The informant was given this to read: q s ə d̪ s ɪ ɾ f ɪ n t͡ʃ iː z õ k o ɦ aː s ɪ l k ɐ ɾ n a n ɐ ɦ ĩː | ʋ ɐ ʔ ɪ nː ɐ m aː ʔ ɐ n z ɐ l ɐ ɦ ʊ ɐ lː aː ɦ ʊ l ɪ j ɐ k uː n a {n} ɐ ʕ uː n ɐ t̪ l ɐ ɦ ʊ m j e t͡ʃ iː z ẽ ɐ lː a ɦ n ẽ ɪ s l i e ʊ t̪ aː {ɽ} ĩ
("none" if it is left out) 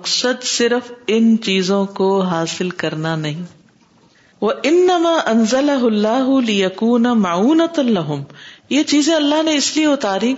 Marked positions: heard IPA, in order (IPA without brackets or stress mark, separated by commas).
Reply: m, ɾ